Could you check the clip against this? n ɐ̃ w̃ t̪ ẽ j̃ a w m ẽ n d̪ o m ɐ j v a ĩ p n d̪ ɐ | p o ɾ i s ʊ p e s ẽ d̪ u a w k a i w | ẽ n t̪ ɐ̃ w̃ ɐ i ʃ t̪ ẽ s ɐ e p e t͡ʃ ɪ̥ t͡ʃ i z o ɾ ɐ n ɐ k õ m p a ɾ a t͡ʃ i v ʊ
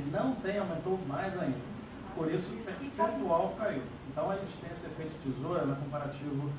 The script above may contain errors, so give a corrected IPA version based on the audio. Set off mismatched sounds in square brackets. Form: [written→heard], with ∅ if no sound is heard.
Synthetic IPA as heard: n ɐ̃ w̃ t̪ ẽ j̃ a w m ẽ n [d̪→t̪] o m [ɐ→a] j [v→z] a ĩ [p→∅] n d̪ ɐ | p o ɾ i s ʊ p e s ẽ [d̪→t̪] u a w k a i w | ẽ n t̪ ɐ̃ w̃ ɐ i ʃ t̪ ẽ s ɐ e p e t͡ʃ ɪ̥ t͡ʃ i z o ɾ ɐ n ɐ k õ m p a ɾ a t͡ʃ i v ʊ